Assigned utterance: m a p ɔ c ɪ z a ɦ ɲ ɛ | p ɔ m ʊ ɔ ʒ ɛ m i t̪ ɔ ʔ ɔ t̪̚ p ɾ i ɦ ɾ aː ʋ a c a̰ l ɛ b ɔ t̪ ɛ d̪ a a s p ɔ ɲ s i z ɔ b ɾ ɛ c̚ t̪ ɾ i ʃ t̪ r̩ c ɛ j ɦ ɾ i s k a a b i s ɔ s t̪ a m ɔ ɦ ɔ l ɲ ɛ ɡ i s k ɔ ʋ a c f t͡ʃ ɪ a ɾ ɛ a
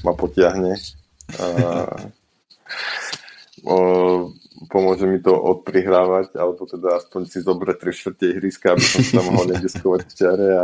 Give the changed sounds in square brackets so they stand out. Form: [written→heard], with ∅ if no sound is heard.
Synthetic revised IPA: m a p ɔ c ɪ [z→∅] a ɦ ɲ ɛ | p ɔ m ʊ ɔ ʒ ɛ m i t̪ ɔ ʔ ɔ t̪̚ p ɾ i ɦ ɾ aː ʋ a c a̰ l ɛ b ɔ t̪ ɛ d̪ a a s p ɔ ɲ s i z ɔ b ɾ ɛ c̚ t̪ ɾ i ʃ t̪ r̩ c ɛ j ɦ ɾ i s k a a b i s ɔ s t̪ a m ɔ ɦ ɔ l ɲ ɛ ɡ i s k ɔ ʋ a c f t͡ʃ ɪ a ɾ ɛ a